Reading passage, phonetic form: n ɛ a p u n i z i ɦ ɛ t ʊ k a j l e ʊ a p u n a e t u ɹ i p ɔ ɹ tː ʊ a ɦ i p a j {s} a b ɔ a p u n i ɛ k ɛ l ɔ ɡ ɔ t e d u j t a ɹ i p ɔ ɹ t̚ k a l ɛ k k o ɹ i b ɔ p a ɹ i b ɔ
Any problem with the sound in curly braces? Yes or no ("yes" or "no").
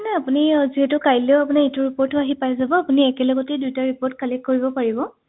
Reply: yes